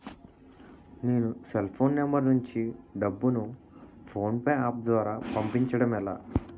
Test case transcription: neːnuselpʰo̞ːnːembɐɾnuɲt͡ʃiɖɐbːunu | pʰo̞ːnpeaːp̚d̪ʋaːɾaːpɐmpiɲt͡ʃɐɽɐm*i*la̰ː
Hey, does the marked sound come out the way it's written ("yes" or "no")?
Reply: no